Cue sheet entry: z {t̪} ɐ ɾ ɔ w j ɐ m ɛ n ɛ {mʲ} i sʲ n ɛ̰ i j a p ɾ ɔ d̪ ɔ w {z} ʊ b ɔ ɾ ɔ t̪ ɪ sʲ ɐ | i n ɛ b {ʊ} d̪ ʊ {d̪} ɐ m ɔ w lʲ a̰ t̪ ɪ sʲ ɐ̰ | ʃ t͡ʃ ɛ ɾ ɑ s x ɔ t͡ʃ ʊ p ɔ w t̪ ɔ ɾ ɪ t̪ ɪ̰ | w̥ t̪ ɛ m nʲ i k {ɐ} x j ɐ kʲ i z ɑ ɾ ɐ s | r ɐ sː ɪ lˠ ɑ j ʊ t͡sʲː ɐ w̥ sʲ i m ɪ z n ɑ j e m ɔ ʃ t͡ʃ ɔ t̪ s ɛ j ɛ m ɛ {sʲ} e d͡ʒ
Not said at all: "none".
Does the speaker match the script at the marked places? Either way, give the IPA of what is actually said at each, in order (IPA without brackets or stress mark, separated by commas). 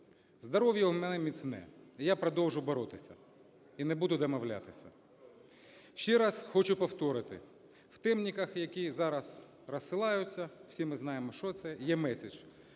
d̪, mʲ, ʒ, u, d̪, ɐ, sʲ